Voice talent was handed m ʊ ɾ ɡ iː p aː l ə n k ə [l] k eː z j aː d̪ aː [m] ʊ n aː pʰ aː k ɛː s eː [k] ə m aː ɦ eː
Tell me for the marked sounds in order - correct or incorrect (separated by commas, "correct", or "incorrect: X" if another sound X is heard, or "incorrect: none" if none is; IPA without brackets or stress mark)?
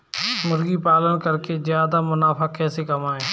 incorrect: ɾ, correct, correct